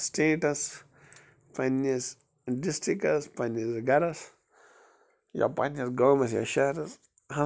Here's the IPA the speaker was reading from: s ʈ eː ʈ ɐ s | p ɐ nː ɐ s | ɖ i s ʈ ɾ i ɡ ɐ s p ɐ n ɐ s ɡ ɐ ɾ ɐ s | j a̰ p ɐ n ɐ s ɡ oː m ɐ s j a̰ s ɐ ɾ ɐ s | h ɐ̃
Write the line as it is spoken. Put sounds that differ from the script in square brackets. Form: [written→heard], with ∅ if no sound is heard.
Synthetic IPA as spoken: s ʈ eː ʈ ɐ s | p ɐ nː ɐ s | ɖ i s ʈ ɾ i [ɡ→k] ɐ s p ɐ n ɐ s ɡ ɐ ɾ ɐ s | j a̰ p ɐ n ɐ s ɡ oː m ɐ s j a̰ [s→ʃ] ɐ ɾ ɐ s | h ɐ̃